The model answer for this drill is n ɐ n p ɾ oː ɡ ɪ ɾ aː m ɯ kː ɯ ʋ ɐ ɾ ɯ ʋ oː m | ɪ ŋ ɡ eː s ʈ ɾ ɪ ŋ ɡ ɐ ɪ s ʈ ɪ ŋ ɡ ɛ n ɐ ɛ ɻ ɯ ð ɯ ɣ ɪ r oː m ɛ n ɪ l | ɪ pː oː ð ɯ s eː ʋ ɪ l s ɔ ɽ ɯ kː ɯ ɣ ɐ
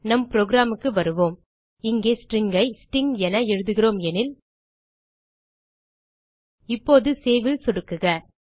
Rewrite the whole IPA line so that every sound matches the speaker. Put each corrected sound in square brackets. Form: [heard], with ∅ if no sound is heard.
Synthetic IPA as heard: n ɐ [m] p ɾ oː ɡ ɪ ɾ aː m ɯ kː ɯ ʋ ɐ ɾ ɯ ʋ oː m | ɪ ŋ ɡ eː s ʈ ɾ ɪ ŋ ɡ ɐ ɪ s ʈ ɪ ŋ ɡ ɛ n ɐ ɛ ɻ ɯ ð ɯ ɣ ɪ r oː m ɛ n ɪ l | ɪ pː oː ð ɯ s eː ʋ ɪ l s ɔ ɽ ɯ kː ɯ ɣ ɐ